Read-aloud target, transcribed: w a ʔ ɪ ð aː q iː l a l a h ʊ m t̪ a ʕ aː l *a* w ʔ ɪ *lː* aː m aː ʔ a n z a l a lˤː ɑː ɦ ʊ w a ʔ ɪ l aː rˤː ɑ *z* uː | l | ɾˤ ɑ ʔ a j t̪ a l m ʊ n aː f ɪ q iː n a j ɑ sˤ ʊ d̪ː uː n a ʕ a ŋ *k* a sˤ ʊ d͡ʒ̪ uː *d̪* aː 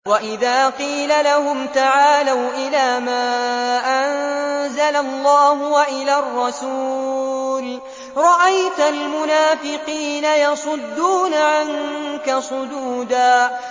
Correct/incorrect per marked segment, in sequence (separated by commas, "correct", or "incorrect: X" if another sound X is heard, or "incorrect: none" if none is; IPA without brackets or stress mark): correct, incorrect: l, incorrect: s, correct, correct